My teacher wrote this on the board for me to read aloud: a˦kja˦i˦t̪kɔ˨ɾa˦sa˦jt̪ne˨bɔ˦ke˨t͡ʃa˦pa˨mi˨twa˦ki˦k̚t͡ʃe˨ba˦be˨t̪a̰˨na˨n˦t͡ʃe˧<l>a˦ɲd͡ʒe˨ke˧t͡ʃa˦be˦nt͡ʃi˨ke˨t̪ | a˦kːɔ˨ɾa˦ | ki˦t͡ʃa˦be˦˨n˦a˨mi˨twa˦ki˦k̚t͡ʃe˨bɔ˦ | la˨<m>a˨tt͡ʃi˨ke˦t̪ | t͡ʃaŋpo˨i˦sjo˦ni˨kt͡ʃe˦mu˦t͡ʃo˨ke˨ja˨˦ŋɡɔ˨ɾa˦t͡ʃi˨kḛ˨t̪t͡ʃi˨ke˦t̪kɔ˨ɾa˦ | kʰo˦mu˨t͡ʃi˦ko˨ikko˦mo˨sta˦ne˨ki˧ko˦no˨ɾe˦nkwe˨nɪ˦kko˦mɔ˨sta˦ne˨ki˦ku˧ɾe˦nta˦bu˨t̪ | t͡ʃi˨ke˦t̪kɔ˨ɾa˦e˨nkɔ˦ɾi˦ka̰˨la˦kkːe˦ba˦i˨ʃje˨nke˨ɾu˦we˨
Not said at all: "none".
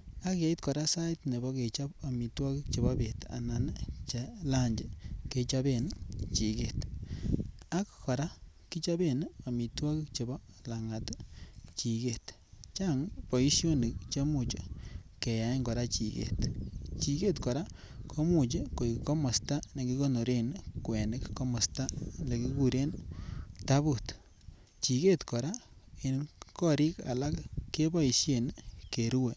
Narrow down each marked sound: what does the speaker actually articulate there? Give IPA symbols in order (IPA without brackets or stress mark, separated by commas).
l, ŋ